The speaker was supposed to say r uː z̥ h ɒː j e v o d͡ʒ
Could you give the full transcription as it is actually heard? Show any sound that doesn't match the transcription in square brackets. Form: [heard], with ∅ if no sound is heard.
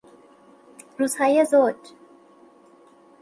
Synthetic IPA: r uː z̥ h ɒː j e [z] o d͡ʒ